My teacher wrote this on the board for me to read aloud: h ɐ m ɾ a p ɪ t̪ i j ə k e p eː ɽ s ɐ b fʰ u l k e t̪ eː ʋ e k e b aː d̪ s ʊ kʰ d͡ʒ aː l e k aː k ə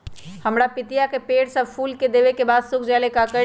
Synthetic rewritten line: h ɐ m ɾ a p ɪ t̪ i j a k e p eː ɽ s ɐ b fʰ uː l k e d̪ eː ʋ e k e b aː d̪ s ʊ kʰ d͡ʒ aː l e k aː k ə

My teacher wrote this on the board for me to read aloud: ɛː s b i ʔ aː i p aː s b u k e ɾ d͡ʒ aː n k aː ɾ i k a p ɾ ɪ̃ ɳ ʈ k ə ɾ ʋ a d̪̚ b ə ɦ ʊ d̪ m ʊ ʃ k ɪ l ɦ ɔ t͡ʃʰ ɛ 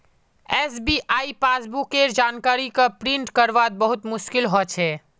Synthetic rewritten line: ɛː s b i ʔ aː i p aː s b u k e ɾ d͡ʒ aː n k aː ɾ i k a p ɾ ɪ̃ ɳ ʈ k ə ɾ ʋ a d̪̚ b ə ɦ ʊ t̪ m ʊ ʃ k ɪ l ɦ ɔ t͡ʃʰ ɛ

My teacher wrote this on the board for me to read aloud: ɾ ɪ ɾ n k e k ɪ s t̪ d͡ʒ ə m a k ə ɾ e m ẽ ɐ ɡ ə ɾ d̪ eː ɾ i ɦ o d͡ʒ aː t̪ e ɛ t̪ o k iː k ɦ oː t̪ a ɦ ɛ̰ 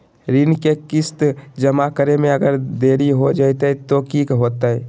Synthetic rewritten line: ɾ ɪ n k e k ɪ s t̪ d͡ʒ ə m a k ə ɾ e m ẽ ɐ ɡ ə ɾ d̪ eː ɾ i ɦ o d͡ʒ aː t̪ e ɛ t̪ o k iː k ɦ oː t̪ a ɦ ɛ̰

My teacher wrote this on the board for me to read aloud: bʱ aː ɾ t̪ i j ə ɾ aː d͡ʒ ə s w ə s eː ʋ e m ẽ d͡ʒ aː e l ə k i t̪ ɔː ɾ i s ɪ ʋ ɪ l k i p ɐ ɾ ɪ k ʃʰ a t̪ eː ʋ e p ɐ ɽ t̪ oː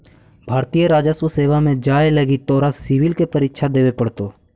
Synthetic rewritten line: bʱ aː ɾ t̪ i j ə ɾ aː d͡ʒ ə s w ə s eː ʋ a m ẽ d͡ʒ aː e l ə ɡ i t̪ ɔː ɾ a s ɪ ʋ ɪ l k e p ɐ ɾ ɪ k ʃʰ a d̪ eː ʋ e p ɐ ɽ t̪ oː

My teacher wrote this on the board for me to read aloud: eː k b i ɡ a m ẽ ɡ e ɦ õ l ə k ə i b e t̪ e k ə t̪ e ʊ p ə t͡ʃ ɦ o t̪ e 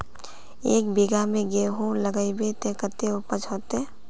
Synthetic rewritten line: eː k b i ɡ a m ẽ ɡ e ɦ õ l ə ɡ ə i b e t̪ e k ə t̪ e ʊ p ə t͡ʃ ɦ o t̪ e

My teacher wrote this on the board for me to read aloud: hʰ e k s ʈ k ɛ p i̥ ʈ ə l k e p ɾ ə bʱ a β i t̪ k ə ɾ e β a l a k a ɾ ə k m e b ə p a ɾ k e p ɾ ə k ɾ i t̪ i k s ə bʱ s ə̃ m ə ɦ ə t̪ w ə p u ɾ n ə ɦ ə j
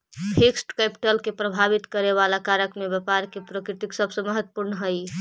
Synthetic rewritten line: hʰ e k s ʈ k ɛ p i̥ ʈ ə l k e p ɾ ə bʱ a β i t̪ k ə ɾ e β a l a k a ɾ ə k m e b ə p a ɾ k e p ɾ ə k ɾ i t̪ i k s ə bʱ s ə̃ m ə ɦ ə t̪ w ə p u ɾ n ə ɦ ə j

